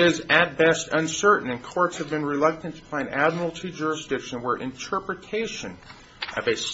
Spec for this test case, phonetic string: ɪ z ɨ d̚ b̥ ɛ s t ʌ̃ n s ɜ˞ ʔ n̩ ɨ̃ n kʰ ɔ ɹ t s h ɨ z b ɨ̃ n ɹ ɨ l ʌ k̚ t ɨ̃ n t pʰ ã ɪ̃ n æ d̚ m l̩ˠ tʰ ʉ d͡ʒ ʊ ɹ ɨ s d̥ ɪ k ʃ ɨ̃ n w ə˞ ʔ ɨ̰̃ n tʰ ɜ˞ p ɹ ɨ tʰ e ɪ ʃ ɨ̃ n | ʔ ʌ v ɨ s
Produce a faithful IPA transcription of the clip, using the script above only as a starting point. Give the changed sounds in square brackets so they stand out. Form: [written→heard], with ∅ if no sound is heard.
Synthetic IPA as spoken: ɪ z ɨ [d̚→t̚] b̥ ɛ s t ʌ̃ n s ɜ˞ ʔ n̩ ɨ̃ n kʰ ɔ ɹ t s h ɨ [z→v] b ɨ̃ n ɹ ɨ l ʌ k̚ t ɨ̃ n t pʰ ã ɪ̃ n æ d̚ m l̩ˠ tʰ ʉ d͡ʒ ʊ ɹ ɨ s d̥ ɪ k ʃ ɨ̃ n w ə˞ ʔ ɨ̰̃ n tʰ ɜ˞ p ɹ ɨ tʰ e ɪ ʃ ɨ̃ n | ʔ ʌ v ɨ s

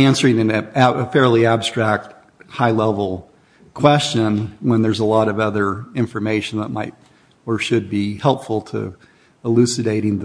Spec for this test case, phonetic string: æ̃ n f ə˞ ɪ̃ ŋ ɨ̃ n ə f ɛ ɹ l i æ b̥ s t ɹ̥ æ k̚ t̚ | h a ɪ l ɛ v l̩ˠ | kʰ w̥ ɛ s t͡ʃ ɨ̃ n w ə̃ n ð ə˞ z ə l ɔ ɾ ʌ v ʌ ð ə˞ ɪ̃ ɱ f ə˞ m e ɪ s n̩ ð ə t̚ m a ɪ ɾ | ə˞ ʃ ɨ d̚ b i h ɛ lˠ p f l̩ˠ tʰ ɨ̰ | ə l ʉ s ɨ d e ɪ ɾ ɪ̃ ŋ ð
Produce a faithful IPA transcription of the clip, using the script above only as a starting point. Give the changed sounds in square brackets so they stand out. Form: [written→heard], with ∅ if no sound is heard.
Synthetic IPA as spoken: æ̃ n [f→s] ə˞ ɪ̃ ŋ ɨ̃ n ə f ɛ ɹ l i æ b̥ s t ɹ̥ æ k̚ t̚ | h a ɪ l ɛ v l̩ˠ | kʰ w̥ ɛ s t͡ʃ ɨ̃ n w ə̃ n ð ə˞ z ə l ɔ ɾ ʌ v ʌ ð ə˞ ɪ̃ ɱ f ə˞ m e ɪ [s→ʃ] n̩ ð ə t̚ m a ɪ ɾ | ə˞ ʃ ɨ d̚ b i h ɛ lˠ p f l̩ˠ tʰ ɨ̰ | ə l ʉ s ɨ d e ɪ ɾ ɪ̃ ŋ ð

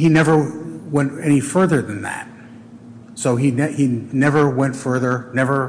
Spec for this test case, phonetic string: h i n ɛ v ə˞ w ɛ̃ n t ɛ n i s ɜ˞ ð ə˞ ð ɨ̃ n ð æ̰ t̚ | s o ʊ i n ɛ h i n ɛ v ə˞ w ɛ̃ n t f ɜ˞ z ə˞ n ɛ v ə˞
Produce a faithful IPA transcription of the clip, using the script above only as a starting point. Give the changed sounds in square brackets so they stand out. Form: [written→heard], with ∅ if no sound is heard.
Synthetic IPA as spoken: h i n ɛ v ə˞ w ɛ̃ n t ɛ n i [s→f] ɜ˞ ð ə˞ ð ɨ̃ n ð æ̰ t̚ | s o ʊ i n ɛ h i n ɛ v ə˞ w ɛ̃ n t f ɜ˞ [z→ð] ə˞ n ɛ v ə˞

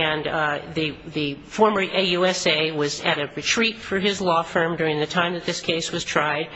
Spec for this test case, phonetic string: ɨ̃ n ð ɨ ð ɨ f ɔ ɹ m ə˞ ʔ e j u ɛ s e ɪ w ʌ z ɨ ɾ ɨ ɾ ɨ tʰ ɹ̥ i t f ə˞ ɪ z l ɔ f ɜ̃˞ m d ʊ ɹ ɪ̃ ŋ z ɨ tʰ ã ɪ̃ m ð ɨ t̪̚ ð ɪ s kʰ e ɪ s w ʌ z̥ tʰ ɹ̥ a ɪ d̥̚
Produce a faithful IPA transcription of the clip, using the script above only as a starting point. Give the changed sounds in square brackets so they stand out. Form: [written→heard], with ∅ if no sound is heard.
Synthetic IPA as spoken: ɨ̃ n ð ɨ ð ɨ f ɔ ɹ m ə˞ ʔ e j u ɛ s e ɪ w ʌ z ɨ ɾ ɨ [ɾ→ɹ] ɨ tʰ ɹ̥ i t f ə˞ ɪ z l ɔ f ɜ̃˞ m d ʊ ɹ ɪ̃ ŋ [z→ð] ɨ tʰ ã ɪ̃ m ð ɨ t̪̚ ð ɪ s kʰ e ɪ s w ʌ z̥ tʰ ɹ̥ a ɪ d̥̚

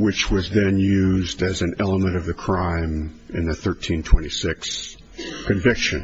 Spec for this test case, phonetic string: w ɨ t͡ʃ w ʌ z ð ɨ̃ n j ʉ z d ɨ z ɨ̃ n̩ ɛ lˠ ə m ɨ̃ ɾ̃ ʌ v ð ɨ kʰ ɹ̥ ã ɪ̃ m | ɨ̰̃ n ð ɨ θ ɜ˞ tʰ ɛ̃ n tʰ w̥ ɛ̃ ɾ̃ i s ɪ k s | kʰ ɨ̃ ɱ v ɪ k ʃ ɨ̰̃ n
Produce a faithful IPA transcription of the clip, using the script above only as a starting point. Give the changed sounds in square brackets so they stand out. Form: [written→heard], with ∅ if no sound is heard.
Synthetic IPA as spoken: w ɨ t͡ʃ w ʌ z ð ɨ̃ n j ʉ z d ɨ z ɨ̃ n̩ ɛ lˠ ə m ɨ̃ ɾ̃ ʌ v ð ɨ kʰ ɹ̥ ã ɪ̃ m | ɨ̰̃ n ð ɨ θ ɜ˞ tʰ [ɛ̃→ĩ] n tʰ w̥ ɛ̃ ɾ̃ i s ɪ k s | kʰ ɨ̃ ɱ v ɪ k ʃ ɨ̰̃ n

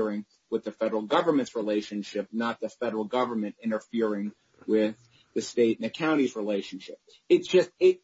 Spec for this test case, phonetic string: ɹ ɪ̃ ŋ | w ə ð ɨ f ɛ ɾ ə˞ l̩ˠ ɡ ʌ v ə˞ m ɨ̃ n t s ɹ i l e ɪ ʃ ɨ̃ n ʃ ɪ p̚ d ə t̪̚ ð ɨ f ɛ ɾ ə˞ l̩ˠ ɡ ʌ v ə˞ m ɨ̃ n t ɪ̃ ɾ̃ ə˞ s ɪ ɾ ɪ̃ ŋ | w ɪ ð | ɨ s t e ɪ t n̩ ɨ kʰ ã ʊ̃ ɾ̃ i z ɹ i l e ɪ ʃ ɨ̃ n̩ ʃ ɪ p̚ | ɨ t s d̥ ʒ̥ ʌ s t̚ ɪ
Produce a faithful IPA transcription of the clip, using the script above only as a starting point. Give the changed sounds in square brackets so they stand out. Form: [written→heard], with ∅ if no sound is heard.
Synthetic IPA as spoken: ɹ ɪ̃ ŋ | w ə ð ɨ f ɛ ɾ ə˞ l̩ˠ ɡ ʌ v ə˞ m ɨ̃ n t s ɹ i l e ɪ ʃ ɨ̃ n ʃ ɪ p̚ [d→n] ə t̪̚ ð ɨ f ɛ ɾ ə˞ l̩ˠ ɡ ʌ v ə˞ m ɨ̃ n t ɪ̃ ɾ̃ ə˞ [s→f] ɪ [ɾ→ɹ] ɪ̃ ŋ | w ɪ ð | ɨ s t e ɪ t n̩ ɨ kʰ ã ʊ̃ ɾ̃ i z ɹ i l e ɪ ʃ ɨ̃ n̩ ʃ ɪ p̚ | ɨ t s d̥ ʒ̥ ʌ s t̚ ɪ

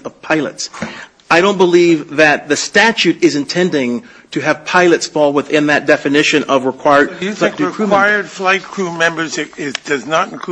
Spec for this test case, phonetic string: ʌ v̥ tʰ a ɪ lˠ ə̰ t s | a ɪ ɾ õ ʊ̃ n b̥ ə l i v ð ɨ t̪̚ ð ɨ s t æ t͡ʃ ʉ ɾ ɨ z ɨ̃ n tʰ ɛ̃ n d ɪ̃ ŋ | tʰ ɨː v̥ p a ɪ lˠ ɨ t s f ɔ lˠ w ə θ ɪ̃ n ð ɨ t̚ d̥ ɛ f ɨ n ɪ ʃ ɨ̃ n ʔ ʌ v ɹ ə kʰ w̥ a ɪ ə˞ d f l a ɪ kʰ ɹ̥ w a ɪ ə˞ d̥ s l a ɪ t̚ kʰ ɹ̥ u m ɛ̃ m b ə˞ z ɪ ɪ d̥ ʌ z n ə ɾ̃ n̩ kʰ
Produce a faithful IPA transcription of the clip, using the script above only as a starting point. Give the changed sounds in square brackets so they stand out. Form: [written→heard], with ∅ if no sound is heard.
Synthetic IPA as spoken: ʌ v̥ [tʰ→pʰ] a ɪ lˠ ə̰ t s | a ɪ ɾ õ ʊ̃ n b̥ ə l i v ð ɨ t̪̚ ð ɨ s t æ t͡ʃ ʉ ɾ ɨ z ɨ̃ n tʰ ɛ̃ n d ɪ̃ ŋ | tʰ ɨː v̥ [p→pʰ] a ɪ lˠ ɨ t s f ɔ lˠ w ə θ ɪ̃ n ð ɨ t̚ d̥ ɛ f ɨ n ɪ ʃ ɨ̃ n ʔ ʌ v ɹ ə kʰ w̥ a ɪ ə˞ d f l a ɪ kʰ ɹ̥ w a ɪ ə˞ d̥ [s→f] l a ɪ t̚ kʰ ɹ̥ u m ɛ̃ m b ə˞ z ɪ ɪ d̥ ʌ z n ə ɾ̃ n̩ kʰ

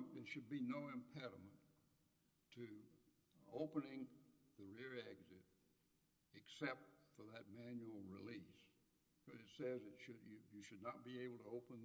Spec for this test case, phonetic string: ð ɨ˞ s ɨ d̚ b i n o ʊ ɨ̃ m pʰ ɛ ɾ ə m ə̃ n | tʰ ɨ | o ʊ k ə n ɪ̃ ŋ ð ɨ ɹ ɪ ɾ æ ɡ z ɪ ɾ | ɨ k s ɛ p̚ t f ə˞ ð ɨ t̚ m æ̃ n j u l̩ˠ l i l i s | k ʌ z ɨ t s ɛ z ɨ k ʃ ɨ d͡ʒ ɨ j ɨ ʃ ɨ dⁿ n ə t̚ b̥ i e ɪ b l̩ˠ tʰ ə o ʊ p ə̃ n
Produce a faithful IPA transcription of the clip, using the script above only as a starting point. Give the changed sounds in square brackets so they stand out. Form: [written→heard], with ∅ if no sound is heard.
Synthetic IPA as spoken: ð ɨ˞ [s→ʃ] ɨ d̚ b i n o ʊ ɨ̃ m pʰ ɛ ɾ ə m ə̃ n | tʰ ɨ | o ʊ [k→p] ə n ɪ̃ ŋ ð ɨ ɹ ɪ [ɾ→ɹ] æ ɡ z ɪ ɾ | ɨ k s ɛ p̚ t f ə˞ ð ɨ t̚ m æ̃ n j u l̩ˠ [l→ɹ] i l i s | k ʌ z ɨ t s ɛ z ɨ [k→t] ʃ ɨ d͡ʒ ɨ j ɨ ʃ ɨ dⁿ n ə t̚ b̥ i e ɪ b l̩ˠ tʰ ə o ʊ p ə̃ n

